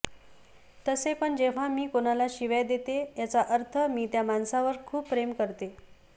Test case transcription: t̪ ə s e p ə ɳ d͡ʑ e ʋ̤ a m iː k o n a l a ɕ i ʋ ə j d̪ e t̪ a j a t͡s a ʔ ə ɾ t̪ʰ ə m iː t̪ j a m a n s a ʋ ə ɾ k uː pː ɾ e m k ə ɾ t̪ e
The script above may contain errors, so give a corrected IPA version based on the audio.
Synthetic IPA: t̪ ə s e p ə ɳ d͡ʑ e ʋ̤ a m iː k o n a l a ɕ i ʋ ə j d̪ e t̪ e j a t͡s a ʔ ə ɾ t̪ʰ ə m iː t̪ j a m a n s a ʋ ə ɾ kʰ uː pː ɾ e m k ə ɾ t̪ e